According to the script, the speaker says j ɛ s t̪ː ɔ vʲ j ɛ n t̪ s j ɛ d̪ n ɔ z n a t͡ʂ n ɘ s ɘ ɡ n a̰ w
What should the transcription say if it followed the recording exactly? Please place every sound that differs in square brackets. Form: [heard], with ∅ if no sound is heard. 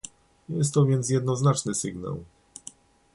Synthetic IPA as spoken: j ɛ s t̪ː ɔ vʲ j ɛ n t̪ s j ɛ d̪ n ɔ z n a t͡ʂ n ɘ s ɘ ɡ n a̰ w